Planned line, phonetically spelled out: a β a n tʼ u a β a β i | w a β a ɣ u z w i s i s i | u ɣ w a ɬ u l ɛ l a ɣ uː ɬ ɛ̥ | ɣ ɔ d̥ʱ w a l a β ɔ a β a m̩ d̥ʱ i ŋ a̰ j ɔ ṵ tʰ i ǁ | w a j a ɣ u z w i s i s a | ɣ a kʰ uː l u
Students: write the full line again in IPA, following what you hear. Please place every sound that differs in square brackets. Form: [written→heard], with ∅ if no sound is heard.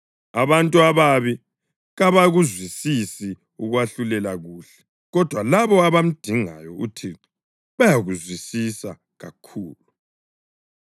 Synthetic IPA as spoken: a β a n tʼ u a β a β i | [w→ɣ] a β a ɣ u z w i s i s i | u ɣ w a ɬ u l ɛ l a ɣ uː ɬ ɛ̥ | ɣ ɔ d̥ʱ w a l a β ɔ a β a m̩ d̥ʱ i ŋ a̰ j ɔ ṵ tʰ i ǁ | [w→β] a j a ɣ u z w i s i s a | ɣ a kʰ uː l u